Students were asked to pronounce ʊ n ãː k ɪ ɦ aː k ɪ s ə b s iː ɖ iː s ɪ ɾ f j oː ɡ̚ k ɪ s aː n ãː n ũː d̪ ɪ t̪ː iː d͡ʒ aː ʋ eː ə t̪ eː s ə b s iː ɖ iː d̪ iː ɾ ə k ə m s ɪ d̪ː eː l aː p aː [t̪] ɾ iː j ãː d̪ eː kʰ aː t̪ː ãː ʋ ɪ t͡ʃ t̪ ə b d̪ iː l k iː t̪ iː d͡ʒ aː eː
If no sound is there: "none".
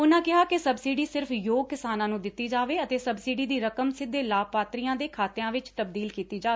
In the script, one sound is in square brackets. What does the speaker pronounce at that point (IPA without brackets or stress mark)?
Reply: t̪